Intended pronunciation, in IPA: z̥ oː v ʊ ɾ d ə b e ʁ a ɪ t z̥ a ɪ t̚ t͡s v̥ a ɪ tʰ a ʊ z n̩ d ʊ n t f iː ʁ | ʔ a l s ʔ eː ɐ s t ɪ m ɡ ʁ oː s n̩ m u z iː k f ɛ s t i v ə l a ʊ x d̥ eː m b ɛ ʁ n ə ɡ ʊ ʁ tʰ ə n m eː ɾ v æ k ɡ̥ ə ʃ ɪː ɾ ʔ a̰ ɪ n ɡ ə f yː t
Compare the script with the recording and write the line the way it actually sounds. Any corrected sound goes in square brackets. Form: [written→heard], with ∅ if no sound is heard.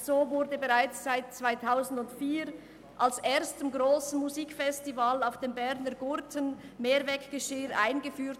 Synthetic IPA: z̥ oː v ʊ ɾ d ə b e ʁ a ɪ [t→t͡s] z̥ a ɪ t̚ t͡s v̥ a ɪ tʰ a ʊ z n̩ d ʊ n t f iː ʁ | ʔ a l s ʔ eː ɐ s t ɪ m ɡ ʁ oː s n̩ m u z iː k f ɛ s t i v [ə→a] l a ʊ [x→f] d̥ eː m b ɛ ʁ n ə ɡ ʊ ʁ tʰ ə n m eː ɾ v [æ→ɛ] k ɡ̥ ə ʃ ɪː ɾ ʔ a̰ ɪ n ɡ ə f yː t